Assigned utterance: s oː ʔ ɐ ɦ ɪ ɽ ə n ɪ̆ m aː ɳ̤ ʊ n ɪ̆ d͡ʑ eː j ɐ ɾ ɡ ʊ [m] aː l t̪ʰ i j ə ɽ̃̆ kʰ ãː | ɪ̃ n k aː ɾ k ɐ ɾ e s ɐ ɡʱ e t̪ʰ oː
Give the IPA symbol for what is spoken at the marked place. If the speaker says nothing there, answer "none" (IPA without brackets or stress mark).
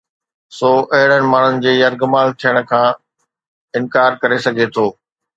m